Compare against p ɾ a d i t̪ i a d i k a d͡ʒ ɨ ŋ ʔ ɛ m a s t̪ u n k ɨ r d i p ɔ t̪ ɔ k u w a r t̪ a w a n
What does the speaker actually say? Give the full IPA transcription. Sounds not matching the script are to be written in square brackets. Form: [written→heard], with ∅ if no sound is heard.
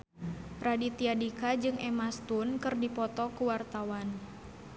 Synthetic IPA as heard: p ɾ a d i t̪ i a d i k a d͡ʒ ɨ ŋ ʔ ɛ m a s t̪ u n k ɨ r d i p ɔ t̪ ɔ k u w a r t̪ a w a n